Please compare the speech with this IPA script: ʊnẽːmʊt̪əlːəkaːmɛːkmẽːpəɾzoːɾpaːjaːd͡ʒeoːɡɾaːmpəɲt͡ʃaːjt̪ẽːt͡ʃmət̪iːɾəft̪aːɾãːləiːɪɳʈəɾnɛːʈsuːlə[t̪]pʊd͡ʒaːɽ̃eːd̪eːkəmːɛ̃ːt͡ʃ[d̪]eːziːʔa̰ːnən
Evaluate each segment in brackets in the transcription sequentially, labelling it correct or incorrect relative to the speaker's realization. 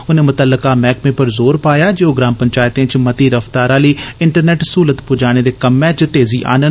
correct, incorrect: t̪

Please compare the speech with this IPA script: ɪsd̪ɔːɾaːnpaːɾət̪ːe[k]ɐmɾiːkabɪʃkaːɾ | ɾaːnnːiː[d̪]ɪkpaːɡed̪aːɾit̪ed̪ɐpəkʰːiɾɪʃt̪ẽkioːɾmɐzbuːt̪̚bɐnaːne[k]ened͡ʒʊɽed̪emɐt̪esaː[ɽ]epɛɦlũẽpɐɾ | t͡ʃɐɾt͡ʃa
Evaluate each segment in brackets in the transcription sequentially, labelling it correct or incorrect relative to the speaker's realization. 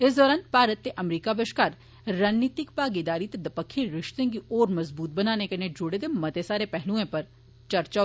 incorrect: ʔ, incorrect: t̪, correct, incorrect: ɾ

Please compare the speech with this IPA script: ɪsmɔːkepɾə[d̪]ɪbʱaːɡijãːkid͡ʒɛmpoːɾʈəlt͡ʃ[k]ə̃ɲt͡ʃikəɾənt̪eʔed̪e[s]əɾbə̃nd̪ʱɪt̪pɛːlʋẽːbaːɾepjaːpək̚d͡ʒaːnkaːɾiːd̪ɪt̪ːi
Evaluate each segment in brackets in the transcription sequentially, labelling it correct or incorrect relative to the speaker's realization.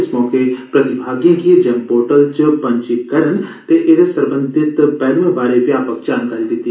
incorrect: t̪, incorrect: p, correct

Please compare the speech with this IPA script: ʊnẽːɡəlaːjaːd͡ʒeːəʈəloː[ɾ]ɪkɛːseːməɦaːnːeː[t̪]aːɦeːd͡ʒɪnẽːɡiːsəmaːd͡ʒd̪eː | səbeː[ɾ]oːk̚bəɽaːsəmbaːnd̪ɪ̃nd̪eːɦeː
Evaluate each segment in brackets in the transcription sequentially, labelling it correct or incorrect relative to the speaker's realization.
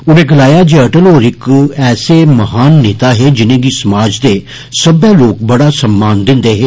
correct, correct, incorrect: l

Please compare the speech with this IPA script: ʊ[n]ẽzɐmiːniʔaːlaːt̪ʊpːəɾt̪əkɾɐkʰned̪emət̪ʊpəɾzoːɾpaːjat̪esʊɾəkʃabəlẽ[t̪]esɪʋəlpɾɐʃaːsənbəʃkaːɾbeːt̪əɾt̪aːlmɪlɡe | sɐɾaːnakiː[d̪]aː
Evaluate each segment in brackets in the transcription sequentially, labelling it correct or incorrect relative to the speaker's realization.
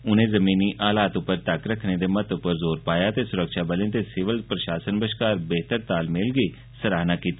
correct, correct, incorrect: t̪

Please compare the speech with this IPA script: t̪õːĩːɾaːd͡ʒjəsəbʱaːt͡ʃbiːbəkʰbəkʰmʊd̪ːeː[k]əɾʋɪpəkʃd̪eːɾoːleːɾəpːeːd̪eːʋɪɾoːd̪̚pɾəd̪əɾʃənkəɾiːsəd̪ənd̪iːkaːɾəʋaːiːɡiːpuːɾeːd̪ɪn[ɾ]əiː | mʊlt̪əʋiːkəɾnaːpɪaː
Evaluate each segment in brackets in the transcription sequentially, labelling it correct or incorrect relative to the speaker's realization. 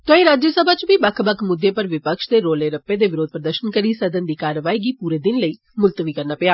incorrect: p, incorrect: l

